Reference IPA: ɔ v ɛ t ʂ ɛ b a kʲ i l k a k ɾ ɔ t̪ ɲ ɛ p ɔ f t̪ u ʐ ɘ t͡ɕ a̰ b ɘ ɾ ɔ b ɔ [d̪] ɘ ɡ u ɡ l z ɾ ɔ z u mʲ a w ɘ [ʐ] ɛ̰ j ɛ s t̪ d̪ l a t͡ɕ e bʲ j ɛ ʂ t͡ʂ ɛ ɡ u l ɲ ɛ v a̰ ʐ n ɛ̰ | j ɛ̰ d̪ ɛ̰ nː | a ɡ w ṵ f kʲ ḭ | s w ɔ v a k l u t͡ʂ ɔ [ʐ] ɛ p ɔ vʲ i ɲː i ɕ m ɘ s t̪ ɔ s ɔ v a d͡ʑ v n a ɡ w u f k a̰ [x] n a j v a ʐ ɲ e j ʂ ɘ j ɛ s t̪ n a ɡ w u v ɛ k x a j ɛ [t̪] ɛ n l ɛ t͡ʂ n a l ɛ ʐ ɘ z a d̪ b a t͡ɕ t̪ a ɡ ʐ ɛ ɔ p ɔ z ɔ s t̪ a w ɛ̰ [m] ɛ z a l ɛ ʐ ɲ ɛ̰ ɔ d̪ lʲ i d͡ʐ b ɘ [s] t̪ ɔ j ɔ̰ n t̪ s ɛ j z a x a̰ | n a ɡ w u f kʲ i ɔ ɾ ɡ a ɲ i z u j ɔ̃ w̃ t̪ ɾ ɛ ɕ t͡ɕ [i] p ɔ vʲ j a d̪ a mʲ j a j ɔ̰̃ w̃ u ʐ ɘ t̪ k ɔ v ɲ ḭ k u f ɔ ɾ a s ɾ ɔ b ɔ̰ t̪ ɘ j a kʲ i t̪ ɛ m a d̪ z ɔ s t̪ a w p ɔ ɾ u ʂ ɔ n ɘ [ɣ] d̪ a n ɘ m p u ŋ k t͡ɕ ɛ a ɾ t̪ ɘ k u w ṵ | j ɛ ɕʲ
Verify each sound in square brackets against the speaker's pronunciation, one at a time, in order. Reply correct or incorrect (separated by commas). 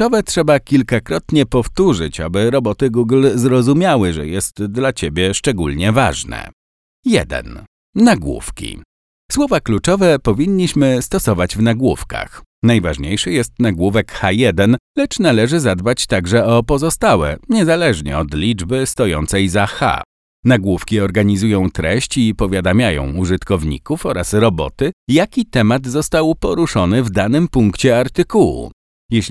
incorrect, correct, incorrect, correct, incorrect, incorrect, correct, correct, incorrect